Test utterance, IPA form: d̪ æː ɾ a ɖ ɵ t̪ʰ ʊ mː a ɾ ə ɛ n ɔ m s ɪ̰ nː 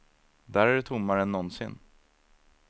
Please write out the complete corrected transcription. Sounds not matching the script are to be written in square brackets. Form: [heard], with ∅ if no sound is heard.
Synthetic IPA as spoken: d̪ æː ɾ [æ] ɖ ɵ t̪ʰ ʊ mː a ɾ ə ɛ [nː] ɔ [n] s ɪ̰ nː